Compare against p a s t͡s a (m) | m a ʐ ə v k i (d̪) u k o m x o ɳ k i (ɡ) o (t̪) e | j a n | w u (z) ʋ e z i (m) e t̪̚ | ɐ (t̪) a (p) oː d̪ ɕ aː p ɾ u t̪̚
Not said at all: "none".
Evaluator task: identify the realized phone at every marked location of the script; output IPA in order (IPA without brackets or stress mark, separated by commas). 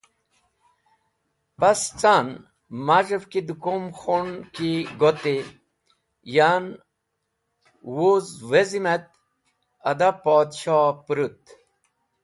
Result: n, d̪, ɡ, t̪, z, m, d̪, p